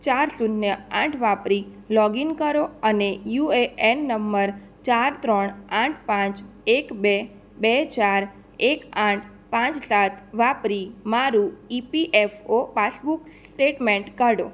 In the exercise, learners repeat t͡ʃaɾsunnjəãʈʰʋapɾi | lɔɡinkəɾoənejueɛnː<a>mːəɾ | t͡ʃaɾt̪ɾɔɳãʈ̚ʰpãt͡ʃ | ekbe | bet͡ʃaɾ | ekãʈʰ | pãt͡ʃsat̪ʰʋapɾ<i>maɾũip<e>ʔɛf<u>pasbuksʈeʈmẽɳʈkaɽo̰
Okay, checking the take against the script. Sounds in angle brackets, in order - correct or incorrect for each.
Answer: incorrect: ə, correct, incorrect: i, incorrect: o

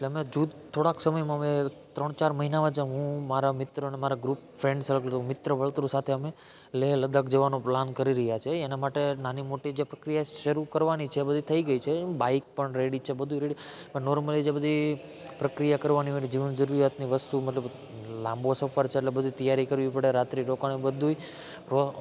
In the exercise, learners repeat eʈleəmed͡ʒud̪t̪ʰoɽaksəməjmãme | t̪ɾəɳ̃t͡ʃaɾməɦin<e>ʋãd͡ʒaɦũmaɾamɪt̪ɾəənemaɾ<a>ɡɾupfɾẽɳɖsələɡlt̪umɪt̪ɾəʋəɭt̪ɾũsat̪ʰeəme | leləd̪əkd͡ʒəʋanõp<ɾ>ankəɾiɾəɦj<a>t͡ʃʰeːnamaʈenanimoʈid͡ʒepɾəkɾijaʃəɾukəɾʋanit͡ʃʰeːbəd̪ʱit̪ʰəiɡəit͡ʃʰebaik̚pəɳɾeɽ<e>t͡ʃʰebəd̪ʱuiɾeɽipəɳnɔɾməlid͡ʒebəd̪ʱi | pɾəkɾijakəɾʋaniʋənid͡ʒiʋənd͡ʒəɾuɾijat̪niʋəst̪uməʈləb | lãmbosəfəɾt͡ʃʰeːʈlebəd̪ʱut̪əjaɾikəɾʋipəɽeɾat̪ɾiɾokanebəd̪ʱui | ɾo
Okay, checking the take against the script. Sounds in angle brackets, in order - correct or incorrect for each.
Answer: incorrect: a, correct, incorrect: l, correct, incorrect: i

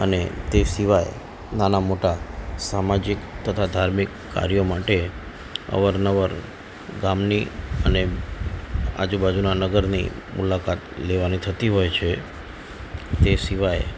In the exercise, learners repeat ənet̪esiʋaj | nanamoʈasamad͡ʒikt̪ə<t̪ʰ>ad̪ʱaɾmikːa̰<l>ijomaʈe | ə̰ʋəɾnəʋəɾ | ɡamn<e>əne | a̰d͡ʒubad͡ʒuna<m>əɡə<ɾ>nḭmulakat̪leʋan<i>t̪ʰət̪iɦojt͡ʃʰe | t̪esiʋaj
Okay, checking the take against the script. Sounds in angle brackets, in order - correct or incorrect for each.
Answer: correct, incorrect: ɾ, incorrect: i, incorrect: n, correct, correct

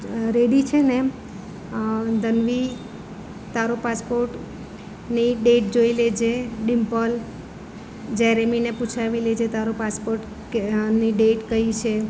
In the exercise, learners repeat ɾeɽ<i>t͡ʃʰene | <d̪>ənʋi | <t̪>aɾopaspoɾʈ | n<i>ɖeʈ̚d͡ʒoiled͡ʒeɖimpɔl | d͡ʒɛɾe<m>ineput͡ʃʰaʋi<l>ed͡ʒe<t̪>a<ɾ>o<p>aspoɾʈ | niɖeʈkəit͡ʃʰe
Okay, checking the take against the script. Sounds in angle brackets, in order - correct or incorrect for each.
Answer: correct, correct, correct, correct, correct, correct, correct, correct, correct

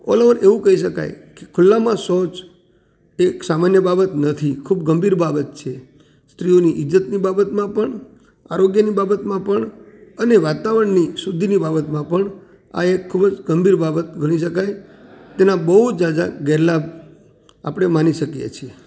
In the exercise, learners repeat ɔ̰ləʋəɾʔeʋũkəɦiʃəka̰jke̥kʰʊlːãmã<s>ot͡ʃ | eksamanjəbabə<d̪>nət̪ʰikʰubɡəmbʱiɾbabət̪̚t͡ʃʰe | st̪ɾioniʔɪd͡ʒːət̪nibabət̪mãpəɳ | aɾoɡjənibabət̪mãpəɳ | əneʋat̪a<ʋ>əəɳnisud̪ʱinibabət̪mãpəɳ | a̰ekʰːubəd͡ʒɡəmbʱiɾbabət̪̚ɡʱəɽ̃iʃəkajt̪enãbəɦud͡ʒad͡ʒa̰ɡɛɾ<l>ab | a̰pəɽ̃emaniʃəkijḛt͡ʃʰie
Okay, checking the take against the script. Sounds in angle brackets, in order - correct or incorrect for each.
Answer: correct, incorrect: t̪, correct, correct

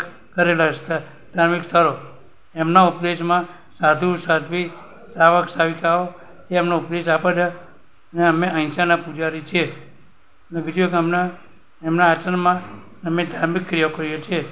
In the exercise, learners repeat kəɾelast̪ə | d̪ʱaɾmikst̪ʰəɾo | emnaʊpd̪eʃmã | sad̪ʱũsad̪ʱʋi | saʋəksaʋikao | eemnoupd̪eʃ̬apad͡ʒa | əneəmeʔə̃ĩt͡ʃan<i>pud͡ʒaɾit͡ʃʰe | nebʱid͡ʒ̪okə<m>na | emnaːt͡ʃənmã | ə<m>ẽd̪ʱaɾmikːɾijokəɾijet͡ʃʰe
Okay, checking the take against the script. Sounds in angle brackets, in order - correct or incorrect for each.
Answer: incorrect: a, correct, correct

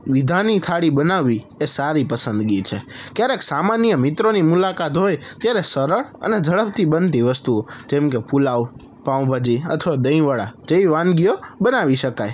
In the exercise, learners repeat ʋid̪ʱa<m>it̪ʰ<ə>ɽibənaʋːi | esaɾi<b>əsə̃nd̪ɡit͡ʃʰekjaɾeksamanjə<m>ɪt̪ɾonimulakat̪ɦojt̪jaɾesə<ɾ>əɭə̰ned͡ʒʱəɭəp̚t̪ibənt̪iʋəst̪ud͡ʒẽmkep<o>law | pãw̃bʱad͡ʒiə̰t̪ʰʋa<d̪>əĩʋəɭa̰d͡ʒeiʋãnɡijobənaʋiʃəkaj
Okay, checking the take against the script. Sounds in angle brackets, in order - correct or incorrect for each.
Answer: incorrect: n, incorrect: a, incorrect: p, correct, correct, incorrect: u, correct

